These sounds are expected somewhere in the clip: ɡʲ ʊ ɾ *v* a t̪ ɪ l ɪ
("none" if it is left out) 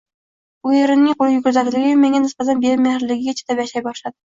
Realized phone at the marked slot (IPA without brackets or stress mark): z